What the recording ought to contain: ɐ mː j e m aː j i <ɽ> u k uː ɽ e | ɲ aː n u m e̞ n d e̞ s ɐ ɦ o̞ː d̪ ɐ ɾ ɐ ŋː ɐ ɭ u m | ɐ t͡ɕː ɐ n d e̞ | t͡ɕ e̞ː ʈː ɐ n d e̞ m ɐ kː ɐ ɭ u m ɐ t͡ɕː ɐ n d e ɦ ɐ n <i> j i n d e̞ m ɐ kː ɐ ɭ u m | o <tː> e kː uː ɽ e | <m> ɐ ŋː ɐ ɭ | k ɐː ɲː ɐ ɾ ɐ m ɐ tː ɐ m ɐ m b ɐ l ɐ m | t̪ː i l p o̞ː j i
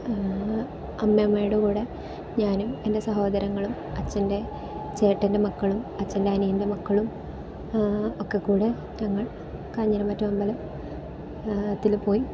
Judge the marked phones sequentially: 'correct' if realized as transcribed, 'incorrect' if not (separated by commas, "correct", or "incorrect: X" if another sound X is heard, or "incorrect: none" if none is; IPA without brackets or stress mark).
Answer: correct, correct, incorrect: kː, incorrect: ɲ